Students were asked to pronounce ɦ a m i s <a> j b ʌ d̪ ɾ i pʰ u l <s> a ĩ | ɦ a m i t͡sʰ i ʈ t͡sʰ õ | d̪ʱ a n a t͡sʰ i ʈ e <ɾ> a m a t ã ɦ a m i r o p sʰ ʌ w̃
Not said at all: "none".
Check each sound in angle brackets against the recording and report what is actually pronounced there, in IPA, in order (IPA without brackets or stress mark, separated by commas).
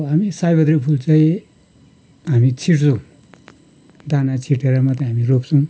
a, t͡s, ɾ